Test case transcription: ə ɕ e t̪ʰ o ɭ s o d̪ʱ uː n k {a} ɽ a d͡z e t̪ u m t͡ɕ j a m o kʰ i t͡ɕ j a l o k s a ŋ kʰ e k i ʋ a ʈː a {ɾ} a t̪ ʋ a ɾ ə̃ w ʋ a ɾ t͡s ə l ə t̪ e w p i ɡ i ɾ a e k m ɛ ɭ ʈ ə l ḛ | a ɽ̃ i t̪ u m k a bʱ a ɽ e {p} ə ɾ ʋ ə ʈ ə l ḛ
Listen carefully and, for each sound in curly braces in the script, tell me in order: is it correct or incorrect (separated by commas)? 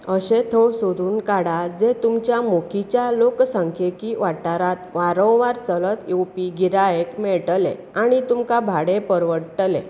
correct, correct, correct